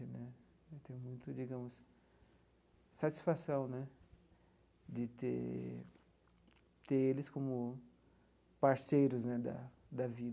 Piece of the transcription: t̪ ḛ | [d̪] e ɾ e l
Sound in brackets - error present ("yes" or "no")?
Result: yes